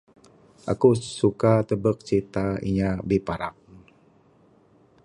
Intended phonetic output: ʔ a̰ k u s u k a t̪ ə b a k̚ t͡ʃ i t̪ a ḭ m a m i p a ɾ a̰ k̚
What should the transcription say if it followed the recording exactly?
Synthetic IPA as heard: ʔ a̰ k u s u k a t̪ ə b ə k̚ t͡ʃ i t̪ a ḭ ɲ a b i p a ɾ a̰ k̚